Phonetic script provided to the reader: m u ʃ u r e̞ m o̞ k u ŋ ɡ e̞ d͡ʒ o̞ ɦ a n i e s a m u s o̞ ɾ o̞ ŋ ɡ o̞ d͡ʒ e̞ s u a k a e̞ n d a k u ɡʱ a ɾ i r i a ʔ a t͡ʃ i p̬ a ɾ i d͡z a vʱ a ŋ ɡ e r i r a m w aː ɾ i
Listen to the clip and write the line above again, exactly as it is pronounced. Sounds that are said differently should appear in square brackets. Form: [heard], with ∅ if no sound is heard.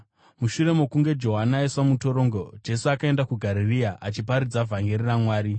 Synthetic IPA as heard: m u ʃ u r e̞ m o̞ k u ŋ ɡ e̞ d͡ʒ o̞ ɦ a n [a] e s a m u [t] o̞ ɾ o̞ ŋ ɡ o̞ d͡ʒ e̞ s u a k a e̞ n d a k u ɡʱ a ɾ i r i a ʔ a t͡ʃ i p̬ a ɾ i d͡z a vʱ a ŋ ɡ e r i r a m w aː ɾ i